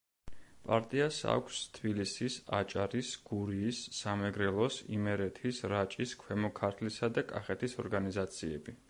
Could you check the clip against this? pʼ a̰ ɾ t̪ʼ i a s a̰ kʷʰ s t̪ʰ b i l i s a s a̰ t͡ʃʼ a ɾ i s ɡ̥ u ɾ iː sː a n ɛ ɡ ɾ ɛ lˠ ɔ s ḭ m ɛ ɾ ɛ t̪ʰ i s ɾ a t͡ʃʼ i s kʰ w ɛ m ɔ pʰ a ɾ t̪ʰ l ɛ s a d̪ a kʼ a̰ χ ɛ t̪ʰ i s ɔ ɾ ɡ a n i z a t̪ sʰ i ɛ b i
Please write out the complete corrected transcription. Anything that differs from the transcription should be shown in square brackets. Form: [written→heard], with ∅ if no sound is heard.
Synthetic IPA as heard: pʼ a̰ ɾ t̪ʼ i a s a̰ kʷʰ s t̪ʰ b i l i s [a→i] s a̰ t͡ʃʼ a ɾ i s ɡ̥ u ɾ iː sː a [n→m] ɛ ɡ ɾ ɛ lˠ ɔ s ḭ m ɛ ɾ ɛ t̪ʰ i s ɾ a t͡ʃʼ i s kʰ w ɛ m ɔ [pʰ→kʰ] a ɾ t̪ʰ l [ɛ→i] s a d̪ a kʼ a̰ χ ɛ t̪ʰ i s ɔ ɾ ɡ a n i z a t̪ sʰ i ɛ b i